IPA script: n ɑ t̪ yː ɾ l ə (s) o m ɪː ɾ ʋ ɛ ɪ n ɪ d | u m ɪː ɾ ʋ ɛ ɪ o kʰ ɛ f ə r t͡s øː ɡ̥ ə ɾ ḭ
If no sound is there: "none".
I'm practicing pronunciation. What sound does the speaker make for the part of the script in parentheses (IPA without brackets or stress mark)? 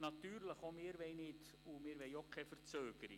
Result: χ